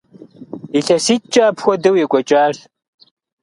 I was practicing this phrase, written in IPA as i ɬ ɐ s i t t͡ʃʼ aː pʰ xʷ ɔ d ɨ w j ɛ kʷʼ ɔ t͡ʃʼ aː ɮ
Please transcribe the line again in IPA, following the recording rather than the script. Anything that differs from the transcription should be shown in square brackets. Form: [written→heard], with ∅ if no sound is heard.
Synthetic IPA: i ɬ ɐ s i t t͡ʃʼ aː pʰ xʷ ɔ d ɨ w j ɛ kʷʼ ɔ t͡ʃʼ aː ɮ